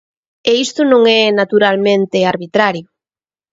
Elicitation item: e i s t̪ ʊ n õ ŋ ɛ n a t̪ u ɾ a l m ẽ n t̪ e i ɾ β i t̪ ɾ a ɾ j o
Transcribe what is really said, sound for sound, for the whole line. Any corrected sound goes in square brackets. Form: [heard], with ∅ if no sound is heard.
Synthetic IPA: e i s t̪ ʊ n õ ŋ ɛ n a t̪ u ɾ a l m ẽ n t̪ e [a] ɾ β i t̪ ɾ a ɾ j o